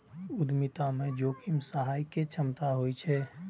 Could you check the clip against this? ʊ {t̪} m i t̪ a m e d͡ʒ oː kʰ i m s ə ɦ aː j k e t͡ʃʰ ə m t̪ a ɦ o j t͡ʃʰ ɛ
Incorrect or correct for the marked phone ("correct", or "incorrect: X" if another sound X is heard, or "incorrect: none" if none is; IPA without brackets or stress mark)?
incorrect: d̪